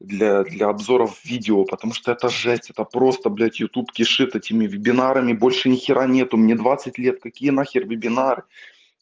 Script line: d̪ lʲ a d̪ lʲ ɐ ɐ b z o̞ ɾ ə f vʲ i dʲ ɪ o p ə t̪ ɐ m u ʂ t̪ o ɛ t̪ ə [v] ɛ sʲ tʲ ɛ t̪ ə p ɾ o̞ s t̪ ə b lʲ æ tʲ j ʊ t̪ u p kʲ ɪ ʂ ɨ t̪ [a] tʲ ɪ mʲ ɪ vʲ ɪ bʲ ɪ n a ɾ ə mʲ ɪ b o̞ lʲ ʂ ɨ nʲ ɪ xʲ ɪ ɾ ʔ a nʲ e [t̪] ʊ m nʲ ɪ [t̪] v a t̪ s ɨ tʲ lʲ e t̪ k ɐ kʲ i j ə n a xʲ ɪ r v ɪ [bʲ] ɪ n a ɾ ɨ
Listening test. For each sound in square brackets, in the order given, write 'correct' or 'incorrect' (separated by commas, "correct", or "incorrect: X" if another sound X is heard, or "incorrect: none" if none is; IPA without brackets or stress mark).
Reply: incorrect: ʐ, incorrect: ɛ, correct, incorrect: d̪, correct